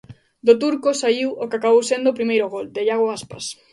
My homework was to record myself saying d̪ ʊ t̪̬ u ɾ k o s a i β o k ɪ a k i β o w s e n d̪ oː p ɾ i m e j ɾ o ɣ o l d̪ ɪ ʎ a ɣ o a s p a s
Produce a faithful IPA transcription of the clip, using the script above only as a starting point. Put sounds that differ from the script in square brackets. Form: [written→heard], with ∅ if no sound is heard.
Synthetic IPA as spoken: d̪ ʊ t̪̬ u ɾ k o s a i [β→w] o k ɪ a k [i→a] β o w s e n d̪ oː p ɾ i m e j ɾ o ɣ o l d̪ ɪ ʎ a ɣ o a s p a s